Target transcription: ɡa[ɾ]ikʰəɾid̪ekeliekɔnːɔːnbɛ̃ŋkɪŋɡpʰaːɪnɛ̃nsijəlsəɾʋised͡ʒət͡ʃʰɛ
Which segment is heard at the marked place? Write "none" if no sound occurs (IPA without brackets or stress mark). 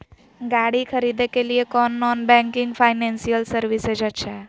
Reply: ɽ